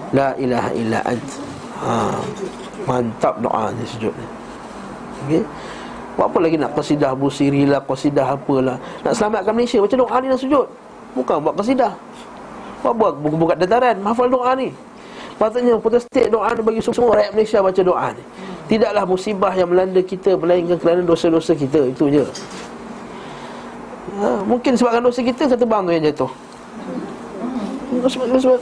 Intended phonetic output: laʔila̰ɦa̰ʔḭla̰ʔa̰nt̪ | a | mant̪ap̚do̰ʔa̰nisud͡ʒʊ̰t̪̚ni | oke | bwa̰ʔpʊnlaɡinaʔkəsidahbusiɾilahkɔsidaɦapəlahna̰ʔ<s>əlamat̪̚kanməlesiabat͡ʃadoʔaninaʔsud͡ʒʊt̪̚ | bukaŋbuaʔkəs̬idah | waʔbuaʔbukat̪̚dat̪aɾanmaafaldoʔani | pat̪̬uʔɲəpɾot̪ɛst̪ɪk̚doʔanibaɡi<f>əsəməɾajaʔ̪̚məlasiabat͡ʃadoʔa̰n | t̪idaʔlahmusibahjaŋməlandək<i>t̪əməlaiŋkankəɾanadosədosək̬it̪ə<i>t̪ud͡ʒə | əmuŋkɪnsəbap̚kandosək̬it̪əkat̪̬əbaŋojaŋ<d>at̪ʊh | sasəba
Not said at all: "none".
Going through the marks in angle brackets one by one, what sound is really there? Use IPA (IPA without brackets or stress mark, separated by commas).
s, s, i, i, d͡ʒ